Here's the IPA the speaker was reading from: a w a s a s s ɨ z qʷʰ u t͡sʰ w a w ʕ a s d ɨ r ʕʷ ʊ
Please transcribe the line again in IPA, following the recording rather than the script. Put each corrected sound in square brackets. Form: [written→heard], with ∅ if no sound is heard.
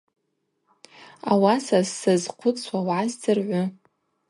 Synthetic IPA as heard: a w a s a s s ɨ z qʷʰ [u→ʊ] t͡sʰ w a w ʕ a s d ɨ r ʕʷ ʊ